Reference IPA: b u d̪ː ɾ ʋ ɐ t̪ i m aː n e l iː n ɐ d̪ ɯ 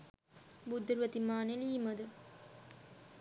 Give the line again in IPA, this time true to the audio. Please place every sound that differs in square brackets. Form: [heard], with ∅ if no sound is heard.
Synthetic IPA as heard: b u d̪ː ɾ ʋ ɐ t̪ i m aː n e l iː [m] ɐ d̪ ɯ